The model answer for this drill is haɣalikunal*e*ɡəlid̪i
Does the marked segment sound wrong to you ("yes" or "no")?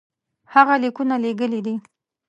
no